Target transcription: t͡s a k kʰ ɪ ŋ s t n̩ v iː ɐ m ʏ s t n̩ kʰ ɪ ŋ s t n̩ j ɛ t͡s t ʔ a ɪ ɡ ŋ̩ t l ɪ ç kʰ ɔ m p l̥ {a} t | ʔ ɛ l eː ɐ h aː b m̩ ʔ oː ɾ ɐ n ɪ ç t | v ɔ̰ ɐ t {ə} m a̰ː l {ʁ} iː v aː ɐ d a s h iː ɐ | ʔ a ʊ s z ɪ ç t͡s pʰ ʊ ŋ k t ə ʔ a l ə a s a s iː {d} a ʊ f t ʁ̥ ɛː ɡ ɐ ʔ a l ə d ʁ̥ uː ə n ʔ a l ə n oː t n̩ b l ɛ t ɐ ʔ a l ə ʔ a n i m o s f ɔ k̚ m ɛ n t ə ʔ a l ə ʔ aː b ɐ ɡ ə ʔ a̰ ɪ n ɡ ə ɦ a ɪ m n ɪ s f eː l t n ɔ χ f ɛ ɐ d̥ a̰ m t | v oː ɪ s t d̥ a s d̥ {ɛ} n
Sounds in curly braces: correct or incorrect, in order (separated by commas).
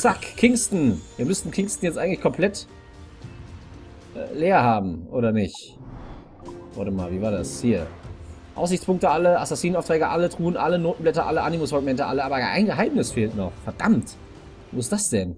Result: incorrect, correct, incorrect, incorrect, correct